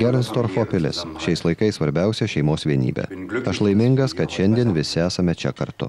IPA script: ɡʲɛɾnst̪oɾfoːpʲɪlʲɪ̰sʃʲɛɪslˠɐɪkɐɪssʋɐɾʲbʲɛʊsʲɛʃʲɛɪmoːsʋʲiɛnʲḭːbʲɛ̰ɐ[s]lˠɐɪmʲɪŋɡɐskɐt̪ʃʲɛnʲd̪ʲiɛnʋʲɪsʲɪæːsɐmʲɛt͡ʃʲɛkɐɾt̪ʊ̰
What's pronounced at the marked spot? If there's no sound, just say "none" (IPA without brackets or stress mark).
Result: ʃ